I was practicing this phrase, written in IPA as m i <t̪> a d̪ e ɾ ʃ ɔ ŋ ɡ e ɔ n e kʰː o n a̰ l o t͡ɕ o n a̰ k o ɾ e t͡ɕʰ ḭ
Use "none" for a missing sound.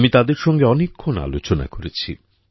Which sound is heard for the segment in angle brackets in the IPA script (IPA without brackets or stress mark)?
t̪